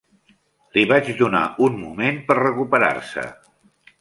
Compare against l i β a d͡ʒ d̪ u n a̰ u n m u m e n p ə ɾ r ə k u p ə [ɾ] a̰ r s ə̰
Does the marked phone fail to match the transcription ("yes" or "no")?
no